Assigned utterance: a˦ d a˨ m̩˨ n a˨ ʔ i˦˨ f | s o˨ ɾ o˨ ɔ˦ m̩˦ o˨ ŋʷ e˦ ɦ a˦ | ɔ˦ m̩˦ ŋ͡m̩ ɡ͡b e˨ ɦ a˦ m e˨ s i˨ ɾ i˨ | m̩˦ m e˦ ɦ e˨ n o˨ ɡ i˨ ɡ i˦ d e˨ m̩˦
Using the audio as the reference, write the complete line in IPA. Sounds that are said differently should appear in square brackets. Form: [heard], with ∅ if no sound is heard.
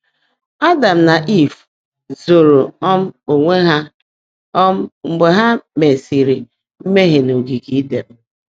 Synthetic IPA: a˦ d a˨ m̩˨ n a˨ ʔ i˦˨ f | [z] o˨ ɾ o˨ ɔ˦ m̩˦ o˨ ŋʷ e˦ ɦ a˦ | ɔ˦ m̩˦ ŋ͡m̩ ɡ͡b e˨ ɦ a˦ m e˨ s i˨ ɾ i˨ | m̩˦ m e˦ ɦ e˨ n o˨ ɡ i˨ ɡ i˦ d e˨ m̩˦

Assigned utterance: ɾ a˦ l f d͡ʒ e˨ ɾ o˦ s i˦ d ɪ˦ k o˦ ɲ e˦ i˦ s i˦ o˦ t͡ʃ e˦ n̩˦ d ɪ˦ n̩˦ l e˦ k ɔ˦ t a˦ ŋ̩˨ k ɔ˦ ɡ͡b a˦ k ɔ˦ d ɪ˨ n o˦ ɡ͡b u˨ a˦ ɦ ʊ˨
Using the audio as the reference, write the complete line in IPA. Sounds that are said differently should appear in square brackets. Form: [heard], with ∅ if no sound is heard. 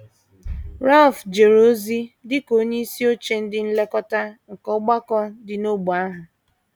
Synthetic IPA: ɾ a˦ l f d͡ʒ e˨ ɾ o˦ [z] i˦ d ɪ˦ k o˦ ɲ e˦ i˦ s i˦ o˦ t͡ʃ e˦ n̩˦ d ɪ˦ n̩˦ l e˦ k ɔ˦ t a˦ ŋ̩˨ k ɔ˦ ɡ͡b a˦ k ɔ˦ d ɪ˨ n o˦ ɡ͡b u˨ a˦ ɦ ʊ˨

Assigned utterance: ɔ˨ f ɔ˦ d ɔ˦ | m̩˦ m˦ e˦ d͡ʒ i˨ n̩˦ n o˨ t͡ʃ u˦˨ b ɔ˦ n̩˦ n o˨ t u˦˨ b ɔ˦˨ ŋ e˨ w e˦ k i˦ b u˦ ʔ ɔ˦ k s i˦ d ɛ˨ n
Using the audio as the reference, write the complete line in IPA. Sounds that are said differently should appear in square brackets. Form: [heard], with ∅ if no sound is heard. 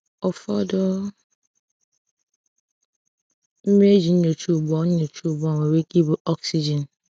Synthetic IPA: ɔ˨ f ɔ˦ d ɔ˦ | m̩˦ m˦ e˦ d͡ʒ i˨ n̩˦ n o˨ t͡ʃ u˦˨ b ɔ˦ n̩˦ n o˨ [t͡ʃ] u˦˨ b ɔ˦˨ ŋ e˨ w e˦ k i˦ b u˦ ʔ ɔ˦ k s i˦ [d͡ʒ] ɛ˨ n

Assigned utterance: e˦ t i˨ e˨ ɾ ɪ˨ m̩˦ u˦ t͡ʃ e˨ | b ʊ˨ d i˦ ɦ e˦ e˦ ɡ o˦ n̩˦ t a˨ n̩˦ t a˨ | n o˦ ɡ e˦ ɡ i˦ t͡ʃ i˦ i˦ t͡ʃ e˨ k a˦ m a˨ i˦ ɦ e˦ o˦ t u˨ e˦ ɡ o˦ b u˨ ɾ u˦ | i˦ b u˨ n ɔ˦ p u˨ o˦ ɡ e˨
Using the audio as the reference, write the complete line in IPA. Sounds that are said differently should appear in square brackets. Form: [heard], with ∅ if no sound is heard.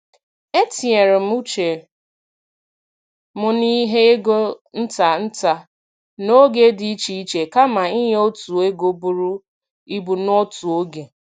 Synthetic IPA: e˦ t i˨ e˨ ɾ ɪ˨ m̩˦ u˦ t͡ʃ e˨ | [m] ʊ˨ [n] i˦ ɦ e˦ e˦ ɡ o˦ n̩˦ t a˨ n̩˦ t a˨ | n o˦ ɡ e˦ [d] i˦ t͡ʃ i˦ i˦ t͡ʃ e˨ k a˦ m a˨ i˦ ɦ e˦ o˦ t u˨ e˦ ɡ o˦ b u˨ ɾ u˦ | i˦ b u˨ n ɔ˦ [t] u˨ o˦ ɡ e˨

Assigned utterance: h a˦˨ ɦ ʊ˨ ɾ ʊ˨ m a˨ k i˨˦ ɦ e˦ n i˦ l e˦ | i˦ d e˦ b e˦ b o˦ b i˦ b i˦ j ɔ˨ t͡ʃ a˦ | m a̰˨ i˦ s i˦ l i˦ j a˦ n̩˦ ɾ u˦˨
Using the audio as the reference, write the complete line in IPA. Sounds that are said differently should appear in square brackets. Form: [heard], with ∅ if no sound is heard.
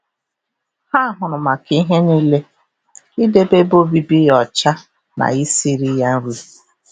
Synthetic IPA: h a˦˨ ɦ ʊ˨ ɾ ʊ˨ m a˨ k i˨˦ ɦ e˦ n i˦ l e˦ | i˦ d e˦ b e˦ b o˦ b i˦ b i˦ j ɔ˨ t͡ʃ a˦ | [n] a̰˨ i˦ s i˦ [ɾ] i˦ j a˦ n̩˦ ɾ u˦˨

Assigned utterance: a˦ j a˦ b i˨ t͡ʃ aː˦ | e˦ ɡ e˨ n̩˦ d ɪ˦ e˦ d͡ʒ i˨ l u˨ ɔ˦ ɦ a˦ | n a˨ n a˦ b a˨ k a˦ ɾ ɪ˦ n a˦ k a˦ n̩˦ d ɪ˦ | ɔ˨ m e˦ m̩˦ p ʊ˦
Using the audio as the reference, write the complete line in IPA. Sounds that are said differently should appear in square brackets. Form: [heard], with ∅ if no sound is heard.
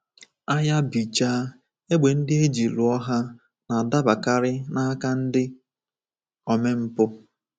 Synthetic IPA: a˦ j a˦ b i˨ t͡ʃ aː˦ | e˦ [ɡ͡b] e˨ n̩˦ d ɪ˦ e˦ d͡ʒ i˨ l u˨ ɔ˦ ɦ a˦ | n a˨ [d] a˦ b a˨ k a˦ ɾ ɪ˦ n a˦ k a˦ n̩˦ d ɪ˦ | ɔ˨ m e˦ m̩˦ p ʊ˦

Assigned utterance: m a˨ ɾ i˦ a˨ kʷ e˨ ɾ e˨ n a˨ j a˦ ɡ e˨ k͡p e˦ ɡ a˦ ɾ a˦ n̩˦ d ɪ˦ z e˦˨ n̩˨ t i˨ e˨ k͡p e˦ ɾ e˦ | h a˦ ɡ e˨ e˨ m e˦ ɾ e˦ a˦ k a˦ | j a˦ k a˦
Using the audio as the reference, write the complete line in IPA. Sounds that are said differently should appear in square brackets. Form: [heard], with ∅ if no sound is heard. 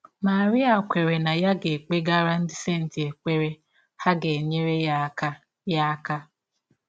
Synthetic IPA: m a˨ ɾ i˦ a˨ kʷ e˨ ɾ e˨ n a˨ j a˦ ɡ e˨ k͡p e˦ ɡ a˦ ɾ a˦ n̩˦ d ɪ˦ [s] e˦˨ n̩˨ t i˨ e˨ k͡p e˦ ɾ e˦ | h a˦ ɡ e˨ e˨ [ɲ] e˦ ɾ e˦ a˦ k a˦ | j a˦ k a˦

